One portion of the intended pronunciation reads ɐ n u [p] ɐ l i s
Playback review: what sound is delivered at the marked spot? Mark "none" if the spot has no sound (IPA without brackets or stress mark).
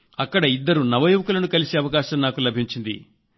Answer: k